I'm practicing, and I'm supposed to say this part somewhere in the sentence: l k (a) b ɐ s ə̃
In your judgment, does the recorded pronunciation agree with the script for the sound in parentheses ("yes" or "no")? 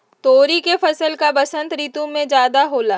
yes